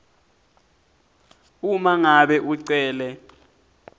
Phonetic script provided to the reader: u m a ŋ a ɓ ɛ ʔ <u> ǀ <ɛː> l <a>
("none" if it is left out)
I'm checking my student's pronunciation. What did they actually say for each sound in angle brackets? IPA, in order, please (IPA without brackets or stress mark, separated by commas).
u, ɛː, ɛ